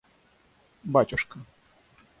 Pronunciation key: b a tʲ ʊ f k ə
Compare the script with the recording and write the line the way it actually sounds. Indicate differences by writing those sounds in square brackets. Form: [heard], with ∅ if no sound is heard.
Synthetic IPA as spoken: b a tʲ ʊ [ʂ] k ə